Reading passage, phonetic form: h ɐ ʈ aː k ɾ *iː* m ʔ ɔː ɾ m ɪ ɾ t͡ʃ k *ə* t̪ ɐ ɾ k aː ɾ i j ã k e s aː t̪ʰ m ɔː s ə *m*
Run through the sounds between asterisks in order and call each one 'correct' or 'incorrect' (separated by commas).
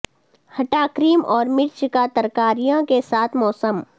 correct, incorrect, correct